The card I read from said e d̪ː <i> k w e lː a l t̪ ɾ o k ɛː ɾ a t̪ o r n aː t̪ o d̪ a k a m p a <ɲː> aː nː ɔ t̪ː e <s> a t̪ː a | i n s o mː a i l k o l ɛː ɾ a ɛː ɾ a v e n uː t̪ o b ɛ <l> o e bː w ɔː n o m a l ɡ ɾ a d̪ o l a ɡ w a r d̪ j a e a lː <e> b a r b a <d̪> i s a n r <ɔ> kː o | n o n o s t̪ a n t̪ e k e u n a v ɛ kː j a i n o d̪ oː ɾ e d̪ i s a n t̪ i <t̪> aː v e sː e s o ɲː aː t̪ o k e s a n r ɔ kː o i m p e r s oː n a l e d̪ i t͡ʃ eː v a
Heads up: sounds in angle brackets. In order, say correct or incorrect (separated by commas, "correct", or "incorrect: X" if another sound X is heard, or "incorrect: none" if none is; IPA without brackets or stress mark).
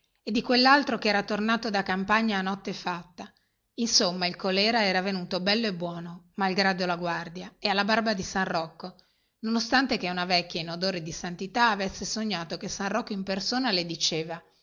correct, correct, incorrect: f, incorrect: lː, incorrect: a, correct, correct, correct